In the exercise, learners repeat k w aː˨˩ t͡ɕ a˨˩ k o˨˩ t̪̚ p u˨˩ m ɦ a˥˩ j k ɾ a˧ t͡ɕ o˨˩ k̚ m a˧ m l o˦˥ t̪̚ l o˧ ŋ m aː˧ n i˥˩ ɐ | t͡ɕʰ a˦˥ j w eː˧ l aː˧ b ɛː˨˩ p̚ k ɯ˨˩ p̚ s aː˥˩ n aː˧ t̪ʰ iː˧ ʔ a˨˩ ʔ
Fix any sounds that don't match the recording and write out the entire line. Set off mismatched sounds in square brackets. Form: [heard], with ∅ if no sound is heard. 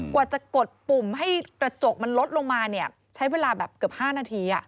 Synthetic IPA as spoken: k w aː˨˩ t͡ɕ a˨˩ k o˨˩ t̪̚ p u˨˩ m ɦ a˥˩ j k ɾ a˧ t͡ɕ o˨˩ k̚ m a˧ [n] l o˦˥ t̪̚ l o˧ ŋ m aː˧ n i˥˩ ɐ | t͡ɕʰ a˦˥ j w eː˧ l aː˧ b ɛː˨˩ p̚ k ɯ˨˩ p̚ [h] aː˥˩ n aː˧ t̪ʰ iː˧ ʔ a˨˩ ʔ